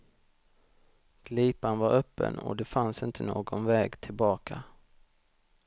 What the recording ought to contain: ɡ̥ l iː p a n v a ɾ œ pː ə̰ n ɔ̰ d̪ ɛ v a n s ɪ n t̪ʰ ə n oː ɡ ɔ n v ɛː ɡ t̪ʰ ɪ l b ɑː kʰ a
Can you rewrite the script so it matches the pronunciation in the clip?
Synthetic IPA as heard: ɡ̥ l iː p a n v a ɾ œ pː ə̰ n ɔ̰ d̪ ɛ f a n s ɪ n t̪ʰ ə n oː ɡ ɔ n v ɛː ɡ t̪ʰ ɪ l b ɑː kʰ a